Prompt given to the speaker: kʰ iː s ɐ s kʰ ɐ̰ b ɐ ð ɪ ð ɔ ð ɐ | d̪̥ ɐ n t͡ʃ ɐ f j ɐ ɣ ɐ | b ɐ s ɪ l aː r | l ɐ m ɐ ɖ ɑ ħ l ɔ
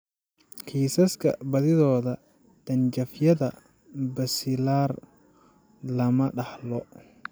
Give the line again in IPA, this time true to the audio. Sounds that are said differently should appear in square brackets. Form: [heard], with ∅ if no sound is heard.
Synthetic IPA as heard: kʰ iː s ɐ s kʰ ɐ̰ b ɐ ð ɪ ð [ɔː] ð ɐ | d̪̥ ɐ n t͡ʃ ɐ f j ɐ [ð] ɐ | b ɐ s ɪ l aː r | l ɐ m ɐ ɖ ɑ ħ l ɔ